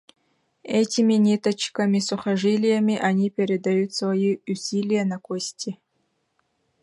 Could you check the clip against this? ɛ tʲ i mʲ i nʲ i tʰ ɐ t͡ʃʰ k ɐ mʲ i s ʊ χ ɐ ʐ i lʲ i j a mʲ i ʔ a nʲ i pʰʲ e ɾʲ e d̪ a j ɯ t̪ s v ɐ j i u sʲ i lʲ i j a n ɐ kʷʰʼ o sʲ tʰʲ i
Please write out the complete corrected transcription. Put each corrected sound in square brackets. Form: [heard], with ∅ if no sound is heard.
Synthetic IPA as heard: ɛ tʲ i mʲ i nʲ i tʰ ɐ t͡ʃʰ k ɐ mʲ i s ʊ χ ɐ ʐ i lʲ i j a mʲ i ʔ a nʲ i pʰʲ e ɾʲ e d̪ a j [u] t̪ s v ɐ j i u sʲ i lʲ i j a n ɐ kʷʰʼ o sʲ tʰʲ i